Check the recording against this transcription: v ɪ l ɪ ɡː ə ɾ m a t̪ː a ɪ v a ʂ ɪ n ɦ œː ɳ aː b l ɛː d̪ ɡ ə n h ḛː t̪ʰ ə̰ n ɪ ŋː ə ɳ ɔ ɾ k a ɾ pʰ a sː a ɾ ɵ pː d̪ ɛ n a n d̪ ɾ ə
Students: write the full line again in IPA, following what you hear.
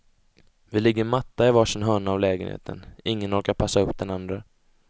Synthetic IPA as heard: v ɪ l ɪ ɡː ə ɾ m a t̪ː a ɪ v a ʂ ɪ n ɦ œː ɳ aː v l ɛː ɡ ə n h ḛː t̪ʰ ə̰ n ɪ ŋː ə n ɔ ɾ k a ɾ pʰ a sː a ɵ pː d̪ ɛ n a n d̪ ɾ ə